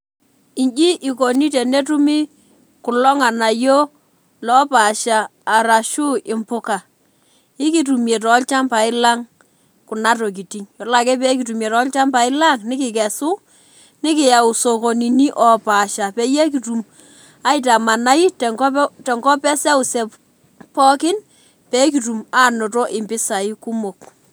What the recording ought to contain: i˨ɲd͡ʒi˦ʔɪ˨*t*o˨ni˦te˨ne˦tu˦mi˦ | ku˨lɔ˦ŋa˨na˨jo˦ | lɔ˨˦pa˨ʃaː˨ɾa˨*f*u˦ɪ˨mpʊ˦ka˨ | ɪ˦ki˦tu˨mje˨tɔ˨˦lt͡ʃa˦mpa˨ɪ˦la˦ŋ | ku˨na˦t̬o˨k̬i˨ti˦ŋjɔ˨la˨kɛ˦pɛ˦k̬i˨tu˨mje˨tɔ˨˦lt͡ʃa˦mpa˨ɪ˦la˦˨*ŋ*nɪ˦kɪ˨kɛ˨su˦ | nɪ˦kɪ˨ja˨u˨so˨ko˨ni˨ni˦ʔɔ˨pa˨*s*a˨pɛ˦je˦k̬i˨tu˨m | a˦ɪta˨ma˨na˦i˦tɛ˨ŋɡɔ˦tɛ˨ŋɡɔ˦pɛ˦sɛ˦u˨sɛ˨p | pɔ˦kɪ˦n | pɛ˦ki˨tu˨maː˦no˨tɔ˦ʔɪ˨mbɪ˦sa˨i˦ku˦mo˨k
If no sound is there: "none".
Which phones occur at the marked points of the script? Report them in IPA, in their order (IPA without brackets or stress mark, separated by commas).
k, ʃ, ŋ, ʃ